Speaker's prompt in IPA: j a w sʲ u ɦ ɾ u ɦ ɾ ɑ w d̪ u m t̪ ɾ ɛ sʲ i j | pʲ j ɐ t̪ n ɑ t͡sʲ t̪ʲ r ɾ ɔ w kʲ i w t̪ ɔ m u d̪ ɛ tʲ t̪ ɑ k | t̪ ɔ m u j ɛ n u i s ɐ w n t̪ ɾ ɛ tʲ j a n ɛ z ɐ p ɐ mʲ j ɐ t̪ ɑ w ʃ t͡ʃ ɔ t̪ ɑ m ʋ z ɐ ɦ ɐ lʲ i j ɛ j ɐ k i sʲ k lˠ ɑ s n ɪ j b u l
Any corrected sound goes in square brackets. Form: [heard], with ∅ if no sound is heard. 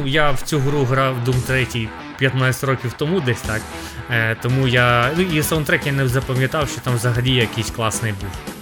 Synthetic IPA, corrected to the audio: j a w [t͡sʲ] u ɦ ɾ u ɦ ɾ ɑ w d̪ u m t̪ ɾ ɛ [tʲ] i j | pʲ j ɐ t̪ n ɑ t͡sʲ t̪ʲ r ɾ ɔ [∅] kʲ i w t̪ ɔ m u d̪ ɛ [sʲ] t̪ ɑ k | t̪ ɔ m u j [a] n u i s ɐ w n t̪ ɾ ɛ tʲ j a n ɛ z ɐ p ɐ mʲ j ɐ t̪ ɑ w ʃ t͡ʃ ɔ t̪ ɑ m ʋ z ɐ ɦ ɐ lʲ i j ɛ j ɐ k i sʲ k lˠ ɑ s n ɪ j b u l